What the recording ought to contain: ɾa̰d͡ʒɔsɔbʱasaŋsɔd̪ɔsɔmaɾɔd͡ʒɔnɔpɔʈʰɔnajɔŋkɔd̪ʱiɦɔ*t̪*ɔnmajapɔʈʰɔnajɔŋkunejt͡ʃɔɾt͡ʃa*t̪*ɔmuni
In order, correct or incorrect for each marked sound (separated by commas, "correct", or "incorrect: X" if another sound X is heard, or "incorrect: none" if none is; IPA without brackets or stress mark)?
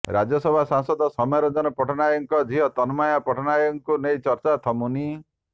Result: correct, incorrect: t̪ʰ